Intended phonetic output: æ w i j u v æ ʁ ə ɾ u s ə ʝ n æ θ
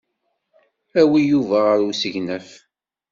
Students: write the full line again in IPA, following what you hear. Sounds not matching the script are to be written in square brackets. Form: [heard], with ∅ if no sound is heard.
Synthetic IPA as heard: æ w i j u v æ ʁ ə ɾ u s ə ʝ n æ [f]